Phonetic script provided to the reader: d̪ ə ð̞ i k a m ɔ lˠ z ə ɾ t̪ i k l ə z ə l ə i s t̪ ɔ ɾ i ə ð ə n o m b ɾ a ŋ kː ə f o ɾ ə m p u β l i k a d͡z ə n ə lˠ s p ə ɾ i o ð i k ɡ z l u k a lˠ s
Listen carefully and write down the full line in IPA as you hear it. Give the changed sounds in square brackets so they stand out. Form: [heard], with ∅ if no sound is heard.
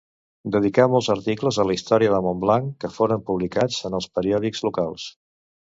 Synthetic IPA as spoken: d̪ ə ð̞ i k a m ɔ lˠ z ə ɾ t̪ i k l ə z ə l ə i s t̪ ɔ ɾ i ə ð ə [m] o m b [l] a ŋ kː ə f o ɾ ə m p u β l i k a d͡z ə n ə lˠ s p ə ɾ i [ɔ] ð i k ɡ z l u k a lˠ s